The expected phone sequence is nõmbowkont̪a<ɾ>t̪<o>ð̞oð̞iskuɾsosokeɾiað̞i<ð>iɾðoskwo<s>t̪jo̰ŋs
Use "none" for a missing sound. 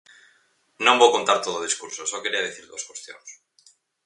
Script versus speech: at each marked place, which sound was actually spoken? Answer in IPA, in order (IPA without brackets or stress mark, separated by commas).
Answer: ɾ, o, θ, s